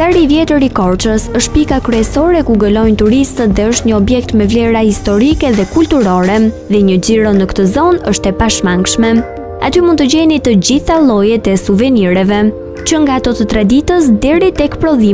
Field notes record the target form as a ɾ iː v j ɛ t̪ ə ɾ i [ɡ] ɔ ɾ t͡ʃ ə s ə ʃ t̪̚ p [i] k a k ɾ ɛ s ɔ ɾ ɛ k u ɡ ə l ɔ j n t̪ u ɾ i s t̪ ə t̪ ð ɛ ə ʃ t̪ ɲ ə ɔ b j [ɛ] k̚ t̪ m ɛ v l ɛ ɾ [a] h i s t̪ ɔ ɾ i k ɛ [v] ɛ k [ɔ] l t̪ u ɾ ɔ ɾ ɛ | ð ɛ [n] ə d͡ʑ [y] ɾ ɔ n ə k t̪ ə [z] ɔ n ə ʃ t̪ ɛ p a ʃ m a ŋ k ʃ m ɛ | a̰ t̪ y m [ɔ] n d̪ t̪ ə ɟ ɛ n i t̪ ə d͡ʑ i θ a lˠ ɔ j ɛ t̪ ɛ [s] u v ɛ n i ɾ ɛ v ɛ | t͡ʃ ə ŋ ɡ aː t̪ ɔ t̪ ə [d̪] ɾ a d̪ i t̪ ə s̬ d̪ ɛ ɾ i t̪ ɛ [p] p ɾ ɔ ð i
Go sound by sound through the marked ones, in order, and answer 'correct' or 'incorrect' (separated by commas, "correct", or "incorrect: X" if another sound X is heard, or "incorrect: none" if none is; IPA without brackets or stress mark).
incorrect: k, correct, correct, correct, incorrect: ð, incorrect: u, incorrect: ɲ, incorrect: i, correct, incorrect: u, correct, incorrect: t̪, incorrect: k